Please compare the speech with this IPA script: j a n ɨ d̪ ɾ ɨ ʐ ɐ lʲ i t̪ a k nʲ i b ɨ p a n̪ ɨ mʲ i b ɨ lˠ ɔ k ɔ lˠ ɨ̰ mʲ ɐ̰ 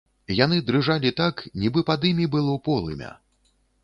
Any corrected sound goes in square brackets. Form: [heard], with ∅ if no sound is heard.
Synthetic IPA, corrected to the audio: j a n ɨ d̪ ɾ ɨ ʐ [a] lʲ i t̪ a k nʲ i b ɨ p a [d̪] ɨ mʲ i b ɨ lˠ ɔ [p] ɔ lˠ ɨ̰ mʲ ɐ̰

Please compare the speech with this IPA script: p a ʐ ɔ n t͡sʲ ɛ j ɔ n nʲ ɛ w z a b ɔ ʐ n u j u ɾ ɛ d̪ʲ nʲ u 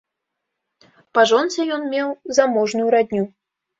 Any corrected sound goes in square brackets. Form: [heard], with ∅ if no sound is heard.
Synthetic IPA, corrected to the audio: p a ʐ ɔ n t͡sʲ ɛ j ɔ n [mʲ] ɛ w z a [m] ɔ ʐ n u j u ɾ [a] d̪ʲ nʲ u

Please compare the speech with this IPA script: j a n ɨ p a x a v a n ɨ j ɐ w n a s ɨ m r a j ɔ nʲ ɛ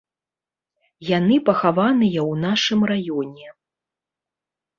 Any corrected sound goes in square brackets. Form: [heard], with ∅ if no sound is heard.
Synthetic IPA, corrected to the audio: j a n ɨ p [ɐ] x a v a n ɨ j ɐ w n a [ʂ] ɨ m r a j ɔ nʲ ɛ

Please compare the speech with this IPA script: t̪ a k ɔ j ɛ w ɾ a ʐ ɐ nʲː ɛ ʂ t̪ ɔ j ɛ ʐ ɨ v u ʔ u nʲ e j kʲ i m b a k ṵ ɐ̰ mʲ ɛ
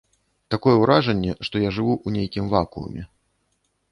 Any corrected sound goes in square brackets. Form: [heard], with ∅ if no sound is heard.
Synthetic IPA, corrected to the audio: t̪ a k ɔ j ɛ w ɾ a ʐ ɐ nʲː ɛ ʂ t̪ ɔ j [a] ʐ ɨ v u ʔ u nʲ e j kʲ i m [v] a k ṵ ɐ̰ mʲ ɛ

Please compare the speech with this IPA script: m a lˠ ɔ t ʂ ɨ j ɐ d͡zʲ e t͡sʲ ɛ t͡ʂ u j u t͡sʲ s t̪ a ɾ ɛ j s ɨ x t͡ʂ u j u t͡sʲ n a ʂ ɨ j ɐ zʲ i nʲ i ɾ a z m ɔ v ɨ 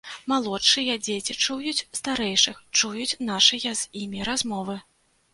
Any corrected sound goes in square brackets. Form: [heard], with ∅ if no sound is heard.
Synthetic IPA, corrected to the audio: m a lˠ ɔ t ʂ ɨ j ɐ d͡zʲ e t͡sʲ [i] t͡ʂ u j u t͡sʲ s t̪ a ɾ ɛ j [ʂ] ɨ x t͡ʂ u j u t͡sʲ n a ʂ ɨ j ɐ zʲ i [mʲ] i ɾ a z m ɔ v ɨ

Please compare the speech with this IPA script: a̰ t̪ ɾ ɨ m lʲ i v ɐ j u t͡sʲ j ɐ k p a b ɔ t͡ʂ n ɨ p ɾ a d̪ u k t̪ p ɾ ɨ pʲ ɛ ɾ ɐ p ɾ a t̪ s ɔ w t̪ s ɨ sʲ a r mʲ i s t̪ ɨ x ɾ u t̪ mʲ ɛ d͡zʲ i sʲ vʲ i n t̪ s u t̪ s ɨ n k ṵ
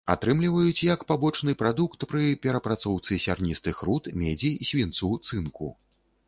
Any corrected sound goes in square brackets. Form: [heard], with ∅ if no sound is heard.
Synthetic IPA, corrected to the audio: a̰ t̪ ɾ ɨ m lʲ i v ɐ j u t͡sʲ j ɐ k p a b ɔ t͡ʂ n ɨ p ɾ a d̪ u k t̪ p ɾ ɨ pʲ ɛ ɾ ɐ p ɾ a t̪ s ɔ w t̪ s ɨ sʲ a r [nʲ] i s t̪ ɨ x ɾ u t̪ mʲ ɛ d͡zʲ i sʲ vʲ i n t̪ s u t̪ s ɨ n k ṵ

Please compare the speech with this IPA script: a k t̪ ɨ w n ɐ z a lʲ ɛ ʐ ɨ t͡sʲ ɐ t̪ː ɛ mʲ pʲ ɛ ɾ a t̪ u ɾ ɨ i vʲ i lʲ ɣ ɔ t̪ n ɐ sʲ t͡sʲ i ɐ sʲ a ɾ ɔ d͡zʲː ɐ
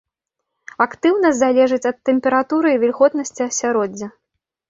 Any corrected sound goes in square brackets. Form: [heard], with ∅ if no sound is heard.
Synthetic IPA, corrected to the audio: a k t̪ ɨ w n ɐ z a lʲ ɛ ʐ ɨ t͡sʲ ɐ t̪ː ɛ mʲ pʲ ɛ ɾ a t̪ u ɾ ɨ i vʲ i lʲ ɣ ɔ t̪ n ɐ sʲ t͡sʲ i ɐ sʲ a ɾ ɔ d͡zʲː ɐ

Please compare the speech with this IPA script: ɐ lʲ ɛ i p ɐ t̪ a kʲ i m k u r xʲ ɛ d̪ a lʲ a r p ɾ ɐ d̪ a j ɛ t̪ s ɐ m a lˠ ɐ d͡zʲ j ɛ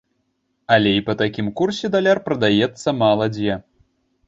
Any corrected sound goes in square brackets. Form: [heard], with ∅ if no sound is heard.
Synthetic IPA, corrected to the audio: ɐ lʲ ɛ i p ɐ t̪ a kʲ i m k u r [sʲ] ɛ d̪ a lʲ a r p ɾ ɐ d̪ a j ɛ t̪ [sː] ɐ m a lˠ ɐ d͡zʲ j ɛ

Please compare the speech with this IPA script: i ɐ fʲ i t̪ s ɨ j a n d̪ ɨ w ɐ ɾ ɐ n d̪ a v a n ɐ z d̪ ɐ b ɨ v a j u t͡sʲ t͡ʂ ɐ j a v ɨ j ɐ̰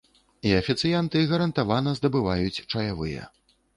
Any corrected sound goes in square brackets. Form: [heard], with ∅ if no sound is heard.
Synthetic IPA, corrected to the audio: i ɐ fʲ i t̪ s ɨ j a n [t̪] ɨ [ɣ] ɐ ɾ ɐ n [t̪] a v a n ɐ z d̪ ɐ b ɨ v a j u t͡sʲ t͡ʂ ɐ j a v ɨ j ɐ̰

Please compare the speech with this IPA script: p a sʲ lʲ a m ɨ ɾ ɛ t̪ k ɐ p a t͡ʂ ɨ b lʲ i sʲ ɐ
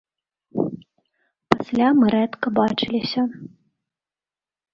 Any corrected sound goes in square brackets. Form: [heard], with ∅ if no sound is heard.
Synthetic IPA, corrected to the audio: p a sʲ lʲ a m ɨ ɾ ɛ t̪ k ɐ [b] a t͡ʂ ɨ [∅] lʲ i sʲ ɐ

